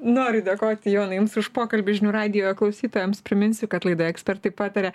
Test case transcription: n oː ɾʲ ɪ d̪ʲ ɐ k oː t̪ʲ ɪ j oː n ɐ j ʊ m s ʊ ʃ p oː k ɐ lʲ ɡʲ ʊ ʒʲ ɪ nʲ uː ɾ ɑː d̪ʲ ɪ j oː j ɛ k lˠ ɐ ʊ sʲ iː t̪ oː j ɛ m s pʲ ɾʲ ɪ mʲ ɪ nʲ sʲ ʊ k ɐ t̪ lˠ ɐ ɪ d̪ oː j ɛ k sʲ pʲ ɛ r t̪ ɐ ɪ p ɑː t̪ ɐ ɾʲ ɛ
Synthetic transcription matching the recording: n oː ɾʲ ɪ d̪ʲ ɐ k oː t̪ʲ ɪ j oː n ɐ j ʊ m s ʊ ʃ p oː k ɐ lʲ bʲ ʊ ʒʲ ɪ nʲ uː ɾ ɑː d̪ʲ ɪ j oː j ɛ k lˠ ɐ ʊ sʲ iː t̪ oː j ɛ m s pʲ ɾʲ ɪ mʲ ɪ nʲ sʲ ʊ k ɐ t̪ lˠ ɐ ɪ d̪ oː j ɛ k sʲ pʲ ɛ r t̪ ɐ ɪ p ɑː t̪ ɐ ɾʲ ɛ